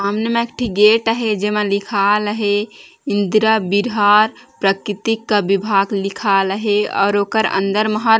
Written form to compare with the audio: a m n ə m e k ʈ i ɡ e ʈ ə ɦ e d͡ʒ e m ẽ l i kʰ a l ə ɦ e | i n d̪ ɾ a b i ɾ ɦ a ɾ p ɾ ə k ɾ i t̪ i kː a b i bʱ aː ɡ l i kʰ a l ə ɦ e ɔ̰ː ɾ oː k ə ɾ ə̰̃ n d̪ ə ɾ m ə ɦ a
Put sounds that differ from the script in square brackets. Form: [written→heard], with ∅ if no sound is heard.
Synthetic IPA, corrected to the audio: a m n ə m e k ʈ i ɡ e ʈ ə ɦ e d͡ʒ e m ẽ l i kʰ a l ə ɦ e | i n d̪ ɾ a b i ɾ ɦ a ɾ p ɾ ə k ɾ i t̪ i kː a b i bʱ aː ɡ l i kʰ a l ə ɦ e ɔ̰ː ɾ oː k ə ɾ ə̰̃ n d̪ ə ɾ m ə ɦ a